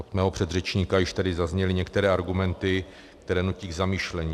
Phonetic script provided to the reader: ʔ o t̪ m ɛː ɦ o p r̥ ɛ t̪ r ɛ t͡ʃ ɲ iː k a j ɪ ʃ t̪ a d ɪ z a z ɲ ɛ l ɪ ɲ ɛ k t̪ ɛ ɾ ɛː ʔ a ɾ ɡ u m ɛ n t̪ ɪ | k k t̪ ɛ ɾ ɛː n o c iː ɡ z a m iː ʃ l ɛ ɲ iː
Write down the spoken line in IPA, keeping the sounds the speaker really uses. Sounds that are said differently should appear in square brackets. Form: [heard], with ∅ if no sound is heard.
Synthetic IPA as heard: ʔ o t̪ m ɛː ɦ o p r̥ ɛ [d̪] r ɛ t͡ʃ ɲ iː k a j ɪ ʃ t̪ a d ɪ z a z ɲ ɛ l ɪ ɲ ɛ k t̪ ɛ ɾ ɛː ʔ a ɾ ɡ u m ɛ n t̪ ɪ | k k t̪ ɛ ɾ ɛː n [u] c iː ɡ z a m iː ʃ l ɛ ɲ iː